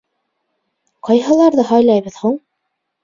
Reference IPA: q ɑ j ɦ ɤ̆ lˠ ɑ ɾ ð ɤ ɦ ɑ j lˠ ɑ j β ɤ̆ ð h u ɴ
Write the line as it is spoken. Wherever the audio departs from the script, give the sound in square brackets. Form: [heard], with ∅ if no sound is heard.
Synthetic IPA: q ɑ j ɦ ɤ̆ lˠ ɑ ɾ ð ɤ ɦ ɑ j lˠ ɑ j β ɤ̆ ð h u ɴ